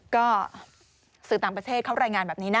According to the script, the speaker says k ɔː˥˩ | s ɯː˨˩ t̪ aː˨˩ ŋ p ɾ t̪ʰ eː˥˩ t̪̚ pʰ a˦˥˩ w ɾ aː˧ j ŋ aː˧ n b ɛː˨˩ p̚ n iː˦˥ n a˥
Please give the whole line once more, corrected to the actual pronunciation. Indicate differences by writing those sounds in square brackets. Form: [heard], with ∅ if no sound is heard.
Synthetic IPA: k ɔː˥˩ | s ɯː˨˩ t̪ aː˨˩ ŋ p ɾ t̪ʰ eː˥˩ t̪̚ [kʰ] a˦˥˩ w ɾ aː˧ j ŋ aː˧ n b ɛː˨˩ p̚ n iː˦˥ n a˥